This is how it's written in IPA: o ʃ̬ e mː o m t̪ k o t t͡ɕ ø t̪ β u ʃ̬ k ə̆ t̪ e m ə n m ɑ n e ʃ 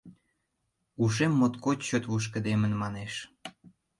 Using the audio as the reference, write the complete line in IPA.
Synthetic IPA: u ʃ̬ e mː o t̪ k o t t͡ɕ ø t̪ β u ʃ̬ k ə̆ d̪ e m ə n m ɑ n e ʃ